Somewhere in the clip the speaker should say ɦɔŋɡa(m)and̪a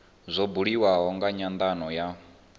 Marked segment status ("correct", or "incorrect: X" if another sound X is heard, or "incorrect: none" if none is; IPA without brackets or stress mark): incorrect: ɲ